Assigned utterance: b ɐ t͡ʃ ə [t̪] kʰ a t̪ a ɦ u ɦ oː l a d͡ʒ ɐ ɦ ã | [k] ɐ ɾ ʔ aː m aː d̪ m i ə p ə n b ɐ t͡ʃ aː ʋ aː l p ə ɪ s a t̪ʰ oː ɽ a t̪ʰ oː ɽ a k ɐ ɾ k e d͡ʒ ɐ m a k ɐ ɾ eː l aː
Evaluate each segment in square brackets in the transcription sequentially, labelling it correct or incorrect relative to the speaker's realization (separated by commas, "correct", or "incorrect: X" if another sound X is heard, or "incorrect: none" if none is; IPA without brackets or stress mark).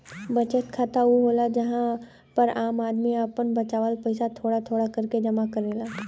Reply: correct, incorrect: p